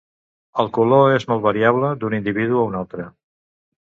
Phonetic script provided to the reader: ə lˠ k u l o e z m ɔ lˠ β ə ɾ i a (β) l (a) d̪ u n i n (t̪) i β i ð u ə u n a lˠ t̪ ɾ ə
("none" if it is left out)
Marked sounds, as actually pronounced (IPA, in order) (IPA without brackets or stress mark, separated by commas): β, ə, d̪